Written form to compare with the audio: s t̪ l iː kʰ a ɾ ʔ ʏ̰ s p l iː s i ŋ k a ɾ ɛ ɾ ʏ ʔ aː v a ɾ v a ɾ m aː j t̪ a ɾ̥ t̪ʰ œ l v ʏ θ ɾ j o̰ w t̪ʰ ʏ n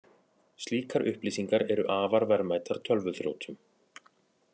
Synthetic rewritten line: s t̪ l iː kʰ a ɾ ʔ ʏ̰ h p l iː s i ŋ k a ɾ ɛ ɾ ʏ ʔ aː v a ɾ v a ɾ m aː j t̪ a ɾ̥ t̪ʰ œ l v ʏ θ ɾ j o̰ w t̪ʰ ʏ m